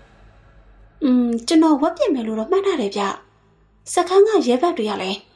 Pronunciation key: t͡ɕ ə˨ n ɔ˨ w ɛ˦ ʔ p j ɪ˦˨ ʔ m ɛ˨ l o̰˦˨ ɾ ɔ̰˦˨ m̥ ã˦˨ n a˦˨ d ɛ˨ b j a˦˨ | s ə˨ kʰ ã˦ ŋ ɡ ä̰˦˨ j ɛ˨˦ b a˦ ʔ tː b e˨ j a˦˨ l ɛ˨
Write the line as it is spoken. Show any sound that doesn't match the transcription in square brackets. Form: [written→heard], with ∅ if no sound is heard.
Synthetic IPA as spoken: t͡ɕ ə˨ n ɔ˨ w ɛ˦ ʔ p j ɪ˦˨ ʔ m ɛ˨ l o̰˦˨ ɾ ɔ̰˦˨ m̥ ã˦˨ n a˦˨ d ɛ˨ b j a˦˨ | s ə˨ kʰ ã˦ ŋ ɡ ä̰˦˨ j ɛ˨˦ b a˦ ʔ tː [b→w] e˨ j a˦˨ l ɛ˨